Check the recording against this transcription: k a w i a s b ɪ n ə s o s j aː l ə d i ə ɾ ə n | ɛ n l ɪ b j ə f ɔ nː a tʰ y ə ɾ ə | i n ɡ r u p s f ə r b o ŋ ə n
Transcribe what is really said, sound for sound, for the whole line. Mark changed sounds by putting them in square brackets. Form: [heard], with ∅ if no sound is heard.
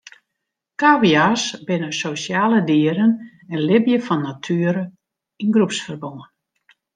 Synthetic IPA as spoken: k a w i a s b ɪ n ə s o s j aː l ə d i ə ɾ ə n | ɛ n l ɪ b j ə f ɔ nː a tʰ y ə ɾ ə | i n ɡ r u p s f ə r b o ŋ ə n